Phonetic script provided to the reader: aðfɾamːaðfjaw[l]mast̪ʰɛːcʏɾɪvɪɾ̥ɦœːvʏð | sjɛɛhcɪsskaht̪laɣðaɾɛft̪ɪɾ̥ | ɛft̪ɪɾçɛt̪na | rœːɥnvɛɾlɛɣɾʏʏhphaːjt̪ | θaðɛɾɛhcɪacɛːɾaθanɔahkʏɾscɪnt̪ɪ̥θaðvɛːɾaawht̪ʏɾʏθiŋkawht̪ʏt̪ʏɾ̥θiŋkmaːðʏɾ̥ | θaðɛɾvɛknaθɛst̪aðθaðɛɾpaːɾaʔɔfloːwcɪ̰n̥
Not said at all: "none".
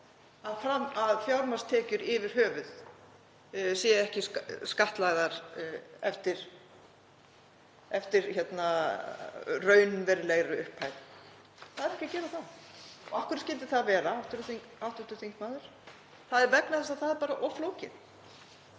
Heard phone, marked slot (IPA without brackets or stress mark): ɾ